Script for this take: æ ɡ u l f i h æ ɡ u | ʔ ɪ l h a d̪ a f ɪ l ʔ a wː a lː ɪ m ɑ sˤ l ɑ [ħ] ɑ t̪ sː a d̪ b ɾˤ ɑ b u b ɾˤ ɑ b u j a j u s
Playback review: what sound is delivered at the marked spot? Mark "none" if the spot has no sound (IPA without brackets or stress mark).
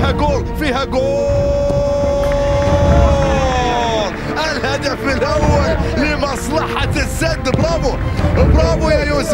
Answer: ħ